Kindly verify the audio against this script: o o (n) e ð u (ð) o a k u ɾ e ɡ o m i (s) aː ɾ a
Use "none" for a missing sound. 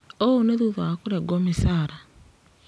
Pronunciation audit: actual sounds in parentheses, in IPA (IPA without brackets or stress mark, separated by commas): n, ð, s